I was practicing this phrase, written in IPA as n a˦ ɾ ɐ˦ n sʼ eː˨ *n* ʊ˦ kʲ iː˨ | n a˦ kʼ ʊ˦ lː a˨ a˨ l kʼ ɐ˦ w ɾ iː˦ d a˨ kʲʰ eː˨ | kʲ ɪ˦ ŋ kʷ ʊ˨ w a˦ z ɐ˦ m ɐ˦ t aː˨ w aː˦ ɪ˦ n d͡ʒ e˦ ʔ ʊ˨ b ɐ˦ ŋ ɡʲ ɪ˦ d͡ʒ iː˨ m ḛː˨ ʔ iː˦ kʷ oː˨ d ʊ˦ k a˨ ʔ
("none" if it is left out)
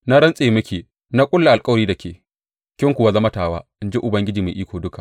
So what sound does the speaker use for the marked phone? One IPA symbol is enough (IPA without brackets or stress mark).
m